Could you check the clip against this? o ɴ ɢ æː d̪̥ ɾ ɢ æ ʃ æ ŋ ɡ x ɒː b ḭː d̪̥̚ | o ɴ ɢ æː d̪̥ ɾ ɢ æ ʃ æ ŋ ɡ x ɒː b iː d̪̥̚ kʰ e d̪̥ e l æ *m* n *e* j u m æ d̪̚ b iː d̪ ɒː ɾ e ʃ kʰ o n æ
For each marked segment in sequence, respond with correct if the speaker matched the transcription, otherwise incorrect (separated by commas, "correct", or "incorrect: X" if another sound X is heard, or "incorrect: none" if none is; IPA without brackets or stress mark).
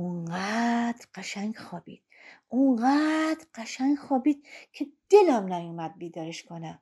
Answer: correct, incorrect: æ